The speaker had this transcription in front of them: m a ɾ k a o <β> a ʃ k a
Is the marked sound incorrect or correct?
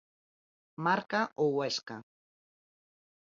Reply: incorrect: w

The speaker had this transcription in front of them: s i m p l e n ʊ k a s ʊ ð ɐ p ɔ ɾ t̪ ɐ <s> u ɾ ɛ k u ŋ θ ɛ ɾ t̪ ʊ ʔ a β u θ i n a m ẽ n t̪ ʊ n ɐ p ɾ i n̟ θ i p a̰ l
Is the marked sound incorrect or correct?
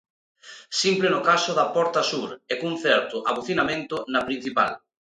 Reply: correct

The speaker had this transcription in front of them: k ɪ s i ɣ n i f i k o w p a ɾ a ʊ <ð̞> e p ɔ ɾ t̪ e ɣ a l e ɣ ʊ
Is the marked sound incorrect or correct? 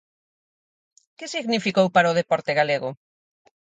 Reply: correct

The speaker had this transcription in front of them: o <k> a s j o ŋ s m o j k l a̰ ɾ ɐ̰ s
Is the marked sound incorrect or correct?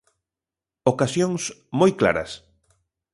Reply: correct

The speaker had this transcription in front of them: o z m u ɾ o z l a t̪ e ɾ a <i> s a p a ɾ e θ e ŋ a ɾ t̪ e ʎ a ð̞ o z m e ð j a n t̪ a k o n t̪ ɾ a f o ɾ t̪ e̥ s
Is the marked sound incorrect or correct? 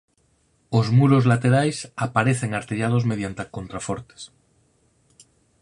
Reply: incorrect: j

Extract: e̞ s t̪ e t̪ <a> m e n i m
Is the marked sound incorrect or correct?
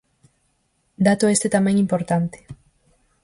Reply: correct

